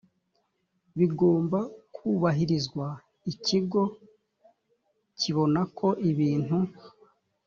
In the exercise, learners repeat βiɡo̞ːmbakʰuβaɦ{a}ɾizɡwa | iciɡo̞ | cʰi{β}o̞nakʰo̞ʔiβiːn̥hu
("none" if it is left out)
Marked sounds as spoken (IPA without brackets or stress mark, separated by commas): i, β